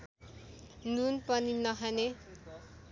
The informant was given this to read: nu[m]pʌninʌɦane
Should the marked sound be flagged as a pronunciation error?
yes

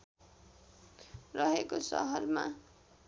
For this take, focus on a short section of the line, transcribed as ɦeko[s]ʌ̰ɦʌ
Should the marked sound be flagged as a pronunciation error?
no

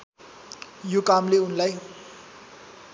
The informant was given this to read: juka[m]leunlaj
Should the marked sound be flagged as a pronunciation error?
no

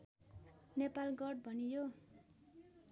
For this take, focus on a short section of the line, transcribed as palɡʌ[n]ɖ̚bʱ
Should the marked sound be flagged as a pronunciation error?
yes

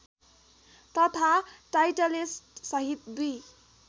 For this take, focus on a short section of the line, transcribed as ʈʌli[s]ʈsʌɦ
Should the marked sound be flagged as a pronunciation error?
no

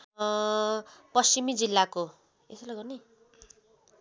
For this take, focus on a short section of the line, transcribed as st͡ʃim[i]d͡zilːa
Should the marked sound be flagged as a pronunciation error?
no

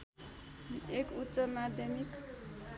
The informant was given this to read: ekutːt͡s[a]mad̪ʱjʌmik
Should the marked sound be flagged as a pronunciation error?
yes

